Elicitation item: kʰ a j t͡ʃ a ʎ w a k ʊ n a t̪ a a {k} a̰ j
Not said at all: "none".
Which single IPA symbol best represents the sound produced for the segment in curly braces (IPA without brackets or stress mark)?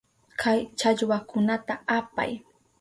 p